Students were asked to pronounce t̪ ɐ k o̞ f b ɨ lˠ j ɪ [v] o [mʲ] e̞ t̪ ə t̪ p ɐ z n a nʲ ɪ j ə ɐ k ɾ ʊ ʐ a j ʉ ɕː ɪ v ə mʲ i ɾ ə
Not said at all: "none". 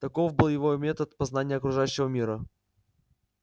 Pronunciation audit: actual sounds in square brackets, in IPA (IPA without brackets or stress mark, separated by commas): v, mʲ